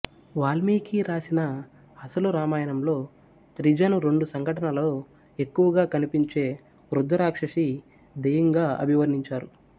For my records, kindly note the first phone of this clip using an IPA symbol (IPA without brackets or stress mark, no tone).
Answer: ʋ